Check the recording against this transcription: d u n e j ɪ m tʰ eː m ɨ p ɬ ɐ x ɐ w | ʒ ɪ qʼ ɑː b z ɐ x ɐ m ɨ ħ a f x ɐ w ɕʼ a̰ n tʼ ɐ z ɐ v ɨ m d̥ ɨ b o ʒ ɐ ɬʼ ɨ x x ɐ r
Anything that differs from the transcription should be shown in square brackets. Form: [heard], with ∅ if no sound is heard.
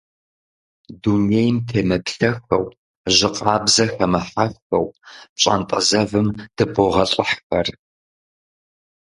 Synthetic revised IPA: d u n e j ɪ m tʰ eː m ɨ p ɬ ɐ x ɐ w | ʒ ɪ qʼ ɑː b z ɐ x ɐ m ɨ ħ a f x ɐ w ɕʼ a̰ n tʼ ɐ z ɐ v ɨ m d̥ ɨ b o [ʁ] ɐ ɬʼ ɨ [ħ] x ɐ r